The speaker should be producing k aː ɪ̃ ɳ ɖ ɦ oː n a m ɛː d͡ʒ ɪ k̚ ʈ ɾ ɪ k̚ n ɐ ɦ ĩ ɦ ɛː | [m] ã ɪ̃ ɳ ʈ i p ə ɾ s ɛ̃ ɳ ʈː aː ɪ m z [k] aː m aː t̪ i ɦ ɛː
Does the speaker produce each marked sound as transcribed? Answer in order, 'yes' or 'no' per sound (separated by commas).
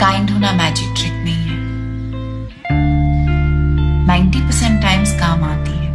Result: no, yes